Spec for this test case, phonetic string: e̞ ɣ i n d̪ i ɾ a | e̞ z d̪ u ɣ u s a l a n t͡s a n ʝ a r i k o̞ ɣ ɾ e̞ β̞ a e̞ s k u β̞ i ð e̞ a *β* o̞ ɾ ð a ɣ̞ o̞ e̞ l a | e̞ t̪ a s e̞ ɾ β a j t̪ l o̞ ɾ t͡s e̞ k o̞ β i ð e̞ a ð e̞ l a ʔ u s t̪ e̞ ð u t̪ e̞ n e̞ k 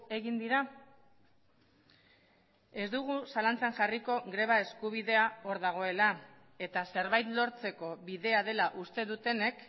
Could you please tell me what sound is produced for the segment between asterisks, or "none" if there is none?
none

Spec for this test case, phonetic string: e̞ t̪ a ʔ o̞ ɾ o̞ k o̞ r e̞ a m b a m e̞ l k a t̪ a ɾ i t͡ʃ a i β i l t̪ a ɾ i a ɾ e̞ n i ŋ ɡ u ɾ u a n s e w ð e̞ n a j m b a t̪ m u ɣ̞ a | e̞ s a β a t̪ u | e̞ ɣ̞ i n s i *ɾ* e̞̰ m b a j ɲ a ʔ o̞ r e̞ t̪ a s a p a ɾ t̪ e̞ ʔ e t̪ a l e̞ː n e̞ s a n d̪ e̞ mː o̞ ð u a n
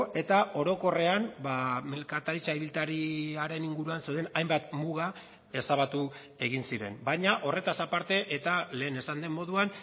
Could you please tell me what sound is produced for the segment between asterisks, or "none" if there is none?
ɾ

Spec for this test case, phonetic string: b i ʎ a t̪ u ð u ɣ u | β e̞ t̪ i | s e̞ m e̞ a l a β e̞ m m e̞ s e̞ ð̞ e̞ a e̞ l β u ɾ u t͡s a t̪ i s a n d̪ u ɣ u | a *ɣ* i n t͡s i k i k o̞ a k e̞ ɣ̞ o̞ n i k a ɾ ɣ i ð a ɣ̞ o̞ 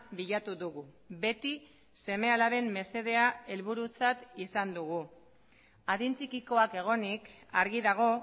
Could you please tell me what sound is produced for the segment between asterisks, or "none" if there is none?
ð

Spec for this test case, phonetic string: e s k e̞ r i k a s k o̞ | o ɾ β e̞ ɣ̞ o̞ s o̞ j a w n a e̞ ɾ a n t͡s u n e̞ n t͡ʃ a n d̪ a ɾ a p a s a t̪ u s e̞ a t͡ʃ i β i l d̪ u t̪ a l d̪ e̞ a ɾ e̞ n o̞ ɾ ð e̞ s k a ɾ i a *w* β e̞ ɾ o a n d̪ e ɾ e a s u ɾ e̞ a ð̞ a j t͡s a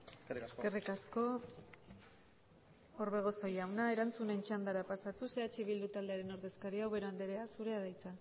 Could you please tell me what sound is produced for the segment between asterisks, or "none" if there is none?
w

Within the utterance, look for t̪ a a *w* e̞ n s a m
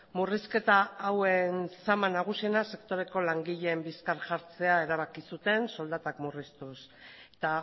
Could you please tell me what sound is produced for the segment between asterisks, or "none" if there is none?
w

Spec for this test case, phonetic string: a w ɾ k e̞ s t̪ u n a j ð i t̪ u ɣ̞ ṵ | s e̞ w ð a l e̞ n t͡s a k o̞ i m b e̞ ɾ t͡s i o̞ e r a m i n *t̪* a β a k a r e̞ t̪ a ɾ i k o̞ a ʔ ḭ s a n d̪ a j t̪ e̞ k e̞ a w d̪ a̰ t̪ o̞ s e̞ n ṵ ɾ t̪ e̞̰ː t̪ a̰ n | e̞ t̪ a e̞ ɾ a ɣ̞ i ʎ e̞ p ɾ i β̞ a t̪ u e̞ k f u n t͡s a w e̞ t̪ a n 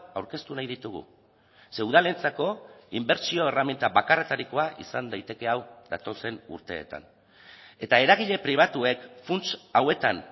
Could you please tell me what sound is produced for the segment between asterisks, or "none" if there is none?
t̪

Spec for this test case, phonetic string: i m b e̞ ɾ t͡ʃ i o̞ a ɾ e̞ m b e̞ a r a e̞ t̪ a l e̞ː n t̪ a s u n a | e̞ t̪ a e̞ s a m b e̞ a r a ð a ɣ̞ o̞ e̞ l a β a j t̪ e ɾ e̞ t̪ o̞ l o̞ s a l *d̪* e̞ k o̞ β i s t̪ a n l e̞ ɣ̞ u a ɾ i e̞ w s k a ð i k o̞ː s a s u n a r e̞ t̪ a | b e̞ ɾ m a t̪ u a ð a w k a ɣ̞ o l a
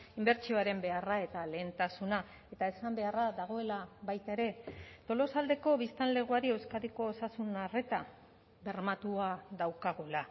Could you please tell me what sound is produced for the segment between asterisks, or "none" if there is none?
d̪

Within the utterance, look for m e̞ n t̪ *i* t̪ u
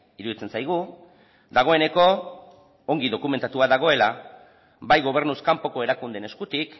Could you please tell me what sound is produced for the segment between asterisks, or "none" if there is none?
a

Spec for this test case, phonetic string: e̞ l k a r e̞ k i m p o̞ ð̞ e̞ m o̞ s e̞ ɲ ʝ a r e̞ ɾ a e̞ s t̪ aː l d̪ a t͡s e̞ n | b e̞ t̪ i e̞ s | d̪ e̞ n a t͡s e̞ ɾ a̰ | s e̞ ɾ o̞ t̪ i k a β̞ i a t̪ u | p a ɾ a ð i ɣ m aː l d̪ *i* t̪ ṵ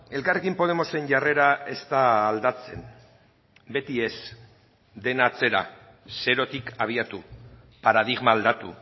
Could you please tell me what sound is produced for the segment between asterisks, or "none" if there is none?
a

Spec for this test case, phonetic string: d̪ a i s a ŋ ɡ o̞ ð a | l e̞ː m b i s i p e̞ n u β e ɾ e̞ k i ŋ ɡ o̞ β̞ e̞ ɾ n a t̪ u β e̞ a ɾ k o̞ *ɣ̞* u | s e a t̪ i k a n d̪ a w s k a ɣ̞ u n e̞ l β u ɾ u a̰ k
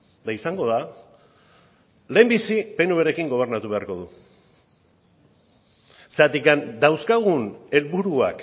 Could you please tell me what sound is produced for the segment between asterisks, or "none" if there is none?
ð̞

